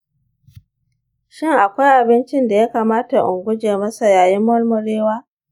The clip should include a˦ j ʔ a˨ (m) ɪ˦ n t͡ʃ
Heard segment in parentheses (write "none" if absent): b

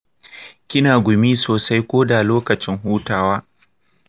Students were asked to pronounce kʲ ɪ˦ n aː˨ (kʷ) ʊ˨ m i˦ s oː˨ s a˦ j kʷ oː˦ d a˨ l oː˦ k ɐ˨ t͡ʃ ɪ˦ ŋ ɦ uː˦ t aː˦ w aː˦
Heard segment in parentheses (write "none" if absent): ɡʷ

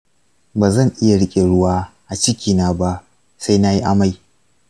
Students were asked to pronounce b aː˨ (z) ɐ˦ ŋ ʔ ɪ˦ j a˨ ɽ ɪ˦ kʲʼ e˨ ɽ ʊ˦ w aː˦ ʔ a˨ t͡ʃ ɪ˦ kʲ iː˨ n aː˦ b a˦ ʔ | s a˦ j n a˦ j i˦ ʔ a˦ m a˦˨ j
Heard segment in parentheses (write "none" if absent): z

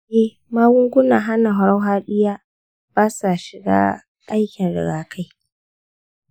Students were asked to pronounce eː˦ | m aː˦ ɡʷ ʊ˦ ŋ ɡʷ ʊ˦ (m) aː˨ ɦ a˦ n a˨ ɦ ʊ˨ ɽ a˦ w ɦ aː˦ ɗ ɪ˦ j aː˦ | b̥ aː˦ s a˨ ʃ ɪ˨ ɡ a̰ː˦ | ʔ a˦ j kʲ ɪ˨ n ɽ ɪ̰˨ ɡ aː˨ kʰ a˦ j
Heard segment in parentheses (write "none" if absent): n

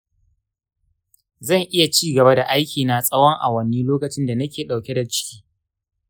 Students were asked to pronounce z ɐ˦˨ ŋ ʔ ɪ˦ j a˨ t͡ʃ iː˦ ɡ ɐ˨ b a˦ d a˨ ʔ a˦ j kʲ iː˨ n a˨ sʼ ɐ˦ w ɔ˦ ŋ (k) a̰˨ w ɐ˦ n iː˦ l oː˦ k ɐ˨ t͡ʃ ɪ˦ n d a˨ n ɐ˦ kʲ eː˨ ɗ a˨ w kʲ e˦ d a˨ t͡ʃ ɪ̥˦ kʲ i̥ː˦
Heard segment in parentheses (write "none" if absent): ʔ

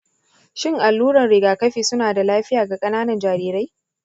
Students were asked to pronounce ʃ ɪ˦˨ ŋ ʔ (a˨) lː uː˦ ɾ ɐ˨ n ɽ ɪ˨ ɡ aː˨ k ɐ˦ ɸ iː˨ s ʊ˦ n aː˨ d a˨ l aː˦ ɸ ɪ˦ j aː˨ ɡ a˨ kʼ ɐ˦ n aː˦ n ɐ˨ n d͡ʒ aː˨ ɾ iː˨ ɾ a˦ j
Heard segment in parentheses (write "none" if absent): a˨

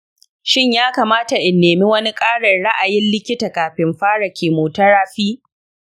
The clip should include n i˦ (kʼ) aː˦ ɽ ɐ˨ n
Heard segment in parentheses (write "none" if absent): kʼ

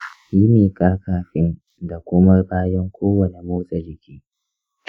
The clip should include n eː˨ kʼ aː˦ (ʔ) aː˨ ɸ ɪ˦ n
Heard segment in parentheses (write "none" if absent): k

